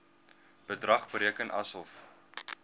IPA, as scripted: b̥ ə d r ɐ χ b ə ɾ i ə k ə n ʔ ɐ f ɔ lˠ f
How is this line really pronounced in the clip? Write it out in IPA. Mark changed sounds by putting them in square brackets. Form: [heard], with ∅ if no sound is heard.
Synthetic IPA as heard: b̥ ə d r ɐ χ b ə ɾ i ə k ə n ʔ ɐ [s] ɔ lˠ f